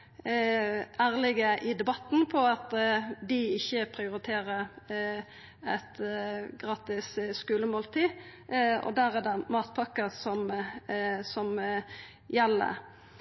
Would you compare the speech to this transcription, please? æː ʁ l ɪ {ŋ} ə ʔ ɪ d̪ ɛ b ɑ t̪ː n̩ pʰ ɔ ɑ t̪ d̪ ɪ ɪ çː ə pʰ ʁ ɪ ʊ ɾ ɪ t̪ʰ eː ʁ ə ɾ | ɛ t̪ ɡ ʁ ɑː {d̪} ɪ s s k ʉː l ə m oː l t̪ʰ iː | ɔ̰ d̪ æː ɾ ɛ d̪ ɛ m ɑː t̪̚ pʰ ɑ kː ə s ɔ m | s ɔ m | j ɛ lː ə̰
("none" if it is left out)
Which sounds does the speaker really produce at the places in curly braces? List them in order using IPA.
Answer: ɡ, t̪

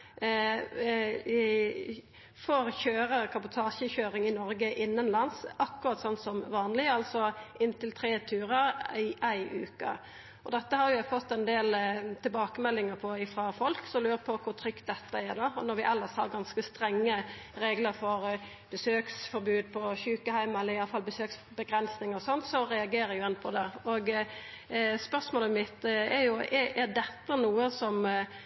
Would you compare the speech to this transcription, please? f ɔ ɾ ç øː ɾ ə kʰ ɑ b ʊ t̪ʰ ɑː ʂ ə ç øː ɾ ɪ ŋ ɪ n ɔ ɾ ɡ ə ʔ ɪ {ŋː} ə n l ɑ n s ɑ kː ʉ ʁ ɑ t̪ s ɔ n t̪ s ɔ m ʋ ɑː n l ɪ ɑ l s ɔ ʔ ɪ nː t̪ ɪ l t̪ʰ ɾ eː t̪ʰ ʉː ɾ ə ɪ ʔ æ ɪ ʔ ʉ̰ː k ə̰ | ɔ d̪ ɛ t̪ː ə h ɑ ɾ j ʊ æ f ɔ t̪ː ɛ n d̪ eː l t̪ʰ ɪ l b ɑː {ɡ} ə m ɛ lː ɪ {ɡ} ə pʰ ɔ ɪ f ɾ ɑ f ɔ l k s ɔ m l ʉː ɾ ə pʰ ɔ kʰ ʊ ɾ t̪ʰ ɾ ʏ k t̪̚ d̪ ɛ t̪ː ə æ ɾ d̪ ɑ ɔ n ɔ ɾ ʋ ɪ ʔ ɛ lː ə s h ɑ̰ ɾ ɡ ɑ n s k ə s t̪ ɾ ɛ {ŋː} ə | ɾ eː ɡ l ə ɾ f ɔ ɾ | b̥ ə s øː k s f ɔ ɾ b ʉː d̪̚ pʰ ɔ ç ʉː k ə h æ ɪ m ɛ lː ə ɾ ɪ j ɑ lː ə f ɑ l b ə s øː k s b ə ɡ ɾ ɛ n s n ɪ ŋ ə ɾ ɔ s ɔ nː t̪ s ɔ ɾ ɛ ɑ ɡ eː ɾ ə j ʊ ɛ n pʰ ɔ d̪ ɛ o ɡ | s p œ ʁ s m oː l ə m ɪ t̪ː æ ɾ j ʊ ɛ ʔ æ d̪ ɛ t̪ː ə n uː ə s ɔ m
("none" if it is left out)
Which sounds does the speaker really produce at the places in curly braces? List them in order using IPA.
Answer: nː, k, ŋ, ŋː

